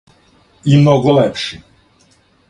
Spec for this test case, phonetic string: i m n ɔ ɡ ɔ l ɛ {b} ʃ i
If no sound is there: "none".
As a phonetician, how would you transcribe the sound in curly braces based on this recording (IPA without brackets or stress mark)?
p